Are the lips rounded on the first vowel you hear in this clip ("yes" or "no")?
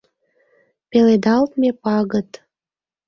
no